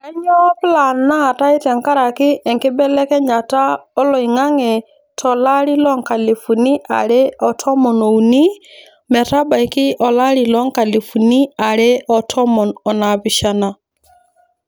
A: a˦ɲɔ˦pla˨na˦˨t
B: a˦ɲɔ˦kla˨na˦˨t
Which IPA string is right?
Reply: A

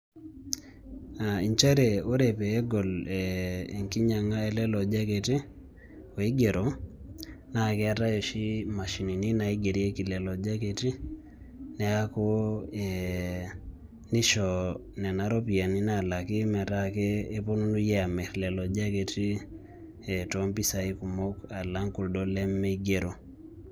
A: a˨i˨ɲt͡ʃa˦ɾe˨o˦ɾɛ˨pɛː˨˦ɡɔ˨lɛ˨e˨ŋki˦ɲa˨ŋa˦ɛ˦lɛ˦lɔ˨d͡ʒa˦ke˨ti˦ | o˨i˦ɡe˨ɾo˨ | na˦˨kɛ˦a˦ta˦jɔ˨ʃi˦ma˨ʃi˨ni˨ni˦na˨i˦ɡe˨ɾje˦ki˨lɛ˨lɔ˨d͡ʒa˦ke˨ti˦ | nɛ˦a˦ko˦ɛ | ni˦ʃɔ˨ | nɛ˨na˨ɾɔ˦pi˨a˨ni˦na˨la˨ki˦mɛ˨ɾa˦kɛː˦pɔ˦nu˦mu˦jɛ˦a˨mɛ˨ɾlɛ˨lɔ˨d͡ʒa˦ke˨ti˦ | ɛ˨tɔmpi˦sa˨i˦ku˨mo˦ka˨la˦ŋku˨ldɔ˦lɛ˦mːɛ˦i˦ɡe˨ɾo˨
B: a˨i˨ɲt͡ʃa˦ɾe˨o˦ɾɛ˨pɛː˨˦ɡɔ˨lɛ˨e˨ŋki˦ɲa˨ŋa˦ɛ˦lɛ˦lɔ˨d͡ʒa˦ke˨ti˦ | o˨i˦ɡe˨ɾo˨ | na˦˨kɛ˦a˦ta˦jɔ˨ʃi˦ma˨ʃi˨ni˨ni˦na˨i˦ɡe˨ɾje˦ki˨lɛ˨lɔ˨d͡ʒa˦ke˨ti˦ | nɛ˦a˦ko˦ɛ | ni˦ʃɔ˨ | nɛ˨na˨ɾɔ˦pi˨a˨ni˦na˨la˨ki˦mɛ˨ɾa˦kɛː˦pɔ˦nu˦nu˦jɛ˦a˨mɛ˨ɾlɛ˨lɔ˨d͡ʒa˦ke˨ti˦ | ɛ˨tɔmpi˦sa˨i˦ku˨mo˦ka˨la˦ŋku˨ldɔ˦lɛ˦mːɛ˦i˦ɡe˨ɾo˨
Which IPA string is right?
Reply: B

